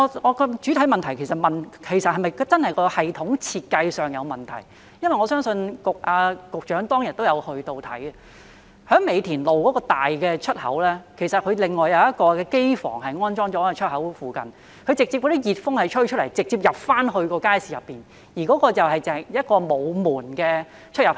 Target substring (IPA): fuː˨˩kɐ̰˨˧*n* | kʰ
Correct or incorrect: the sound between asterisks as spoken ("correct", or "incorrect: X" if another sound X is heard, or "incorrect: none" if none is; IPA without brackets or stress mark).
correct